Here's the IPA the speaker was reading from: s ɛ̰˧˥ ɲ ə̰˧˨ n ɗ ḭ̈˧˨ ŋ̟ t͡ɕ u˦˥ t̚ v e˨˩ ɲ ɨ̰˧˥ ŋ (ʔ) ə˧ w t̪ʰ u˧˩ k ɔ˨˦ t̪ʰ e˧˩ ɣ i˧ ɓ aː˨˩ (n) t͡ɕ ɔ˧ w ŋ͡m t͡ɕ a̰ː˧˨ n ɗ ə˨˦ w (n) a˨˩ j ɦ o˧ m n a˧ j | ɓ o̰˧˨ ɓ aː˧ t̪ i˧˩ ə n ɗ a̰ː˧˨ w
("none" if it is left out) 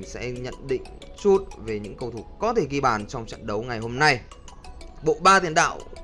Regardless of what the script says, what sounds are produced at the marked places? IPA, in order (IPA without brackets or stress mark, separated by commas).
k, n, ŋ